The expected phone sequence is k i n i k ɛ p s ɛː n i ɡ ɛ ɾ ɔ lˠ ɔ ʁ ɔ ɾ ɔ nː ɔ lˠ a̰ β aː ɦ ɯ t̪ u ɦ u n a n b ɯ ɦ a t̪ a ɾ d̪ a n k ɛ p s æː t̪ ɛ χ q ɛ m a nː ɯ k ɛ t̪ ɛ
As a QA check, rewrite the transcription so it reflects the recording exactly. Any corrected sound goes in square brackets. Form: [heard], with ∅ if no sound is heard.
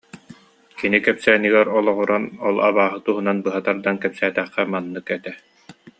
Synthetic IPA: k i n i k ɛ p s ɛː n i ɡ ɛ ɾ ɔ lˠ ɔ ʁ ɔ ɾ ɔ [n] ɔ lˠ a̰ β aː ɦ ɯ t̪ u ɦ u n a n b ɯ ɦ a t̪ a ɾ d̪ a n k ɛ p s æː t̪ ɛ χ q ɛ m a nː ɯ k ɛ t̪ ɛ